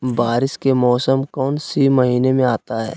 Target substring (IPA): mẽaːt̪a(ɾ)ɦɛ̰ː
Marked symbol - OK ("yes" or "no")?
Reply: no